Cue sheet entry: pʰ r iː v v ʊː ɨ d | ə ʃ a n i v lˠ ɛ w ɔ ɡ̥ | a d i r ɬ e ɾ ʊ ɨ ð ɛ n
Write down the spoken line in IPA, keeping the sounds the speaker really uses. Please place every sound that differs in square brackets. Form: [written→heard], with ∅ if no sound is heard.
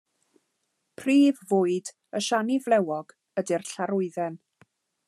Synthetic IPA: pʰ r iː v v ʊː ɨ d | ə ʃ a n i v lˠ ɛ w ɔ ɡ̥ | [a→ə] d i r ɬ [e→a] ɾ ʊ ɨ ð ɛ n